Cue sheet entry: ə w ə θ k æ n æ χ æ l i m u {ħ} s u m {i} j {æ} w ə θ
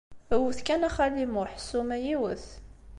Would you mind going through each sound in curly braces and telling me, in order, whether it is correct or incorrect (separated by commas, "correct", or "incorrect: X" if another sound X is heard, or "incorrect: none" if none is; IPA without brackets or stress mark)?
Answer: correct, incorrect: æ, incorrect: i